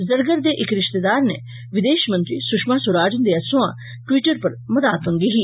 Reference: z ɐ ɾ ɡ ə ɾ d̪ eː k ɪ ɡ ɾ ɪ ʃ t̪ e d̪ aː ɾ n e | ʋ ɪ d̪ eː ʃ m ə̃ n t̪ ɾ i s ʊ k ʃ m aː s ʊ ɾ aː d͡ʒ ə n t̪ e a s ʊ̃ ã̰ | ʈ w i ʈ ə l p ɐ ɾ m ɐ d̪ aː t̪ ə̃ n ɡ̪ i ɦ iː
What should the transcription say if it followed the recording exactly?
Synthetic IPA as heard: z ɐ ɾ ɡ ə ɾ d̪ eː ʔ ɪ k ɾ ɪ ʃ t̪ e d̪ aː ɾ n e | ʋ ɪ d̪ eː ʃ m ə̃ n t̪ ɾ i s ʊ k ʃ m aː s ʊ ɾ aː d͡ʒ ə n d̪ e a s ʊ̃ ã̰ | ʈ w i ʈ ə ɾ p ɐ ɾ m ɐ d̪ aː t̪ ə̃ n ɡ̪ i ɦ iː